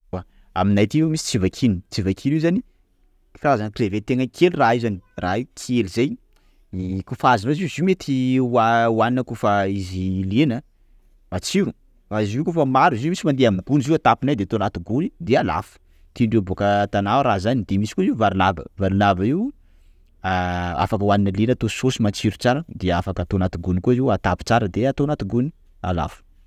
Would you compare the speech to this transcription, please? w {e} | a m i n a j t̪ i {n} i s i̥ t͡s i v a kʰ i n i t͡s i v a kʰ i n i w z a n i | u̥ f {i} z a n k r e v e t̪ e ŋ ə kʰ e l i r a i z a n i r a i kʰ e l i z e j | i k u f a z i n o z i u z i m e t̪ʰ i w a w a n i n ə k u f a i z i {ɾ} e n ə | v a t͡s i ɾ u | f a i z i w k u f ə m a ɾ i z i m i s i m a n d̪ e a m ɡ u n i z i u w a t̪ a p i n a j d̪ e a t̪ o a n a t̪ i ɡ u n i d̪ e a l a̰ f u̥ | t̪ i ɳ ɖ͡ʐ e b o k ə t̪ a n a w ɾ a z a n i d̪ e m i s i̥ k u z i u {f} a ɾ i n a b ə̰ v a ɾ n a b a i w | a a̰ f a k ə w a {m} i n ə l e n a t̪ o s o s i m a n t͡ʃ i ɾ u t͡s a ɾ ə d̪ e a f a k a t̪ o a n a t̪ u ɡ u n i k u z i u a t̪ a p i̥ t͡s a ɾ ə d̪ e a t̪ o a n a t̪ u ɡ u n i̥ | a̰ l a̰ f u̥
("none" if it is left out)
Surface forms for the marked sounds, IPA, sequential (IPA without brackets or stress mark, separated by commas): a, m, a, l, v, n